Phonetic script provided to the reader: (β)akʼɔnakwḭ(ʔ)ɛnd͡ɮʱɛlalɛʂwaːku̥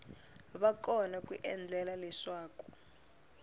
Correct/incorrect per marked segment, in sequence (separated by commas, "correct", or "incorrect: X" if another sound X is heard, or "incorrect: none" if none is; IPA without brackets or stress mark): correct, correct